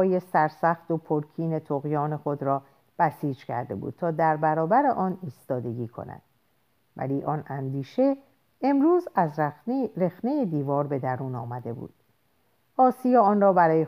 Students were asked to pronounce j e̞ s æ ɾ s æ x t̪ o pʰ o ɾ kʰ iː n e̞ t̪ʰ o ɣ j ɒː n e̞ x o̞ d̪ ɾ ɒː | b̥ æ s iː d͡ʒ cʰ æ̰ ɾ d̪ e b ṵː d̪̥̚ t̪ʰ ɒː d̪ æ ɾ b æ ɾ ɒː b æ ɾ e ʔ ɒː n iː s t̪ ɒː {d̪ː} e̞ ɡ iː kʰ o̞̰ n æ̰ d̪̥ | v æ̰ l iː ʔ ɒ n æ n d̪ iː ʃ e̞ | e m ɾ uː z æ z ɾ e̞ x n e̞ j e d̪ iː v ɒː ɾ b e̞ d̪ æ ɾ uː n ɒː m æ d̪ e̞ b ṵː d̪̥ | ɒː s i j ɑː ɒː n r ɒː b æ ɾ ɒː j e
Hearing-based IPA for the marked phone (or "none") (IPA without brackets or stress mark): d̪